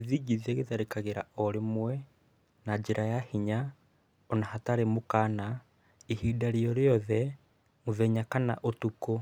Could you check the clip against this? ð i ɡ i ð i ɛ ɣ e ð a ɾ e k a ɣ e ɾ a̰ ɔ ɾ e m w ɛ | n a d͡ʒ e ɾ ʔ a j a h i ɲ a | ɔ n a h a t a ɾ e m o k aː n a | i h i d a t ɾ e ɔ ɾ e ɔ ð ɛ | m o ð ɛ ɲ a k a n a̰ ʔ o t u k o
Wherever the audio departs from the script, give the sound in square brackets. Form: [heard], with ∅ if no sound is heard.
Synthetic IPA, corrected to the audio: ð i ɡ i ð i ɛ ɣ e ð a ɾ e k a ɣ e ɾ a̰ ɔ ɾ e m w ɛ | n a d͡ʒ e ɾ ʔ a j a h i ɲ a | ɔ n a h a t a ɾ e m o k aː n a | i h i d a [∅] ɾ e ɔ ɾ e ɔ ð ɛ | m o ð ɛ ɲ a k a n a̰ ʔ o t u k o